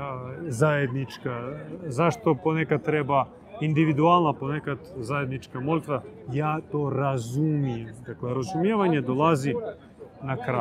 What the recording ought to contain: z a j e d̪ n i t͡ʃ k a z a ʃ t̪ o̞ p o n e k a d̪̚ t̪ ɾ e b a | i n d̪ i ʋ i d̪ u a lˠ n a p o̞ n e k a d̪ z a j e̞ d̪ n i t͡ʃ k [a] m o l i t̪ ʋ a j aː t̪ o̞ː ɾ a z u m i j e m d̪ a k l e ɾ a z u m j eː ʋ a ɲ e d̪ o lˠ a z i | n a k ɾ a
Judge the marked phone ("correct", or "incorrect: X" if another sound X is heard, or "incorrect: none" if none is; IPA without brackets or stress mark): correct